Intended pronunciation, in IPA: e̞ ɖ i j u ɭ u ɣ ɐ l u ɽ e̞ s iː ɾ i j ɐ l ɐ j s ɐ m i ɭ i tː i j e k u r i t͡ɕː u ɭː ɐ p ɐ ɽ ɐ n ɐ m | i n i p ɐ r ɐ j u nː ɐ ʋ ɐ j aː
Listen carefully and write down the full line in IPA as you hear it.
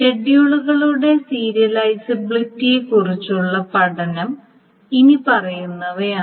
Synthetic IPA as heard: e̞ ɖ i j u ɭ u ɣ ɐ ɭ u ɽ e̞ s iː ɾ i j ɐ l ɐ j s ɐ b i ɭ i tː i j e k u r i t͡ɕː u ɭː ɐ p ɐ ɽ ɐ n ɐ m | i n i p ɐ r ɐ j u nː ɐ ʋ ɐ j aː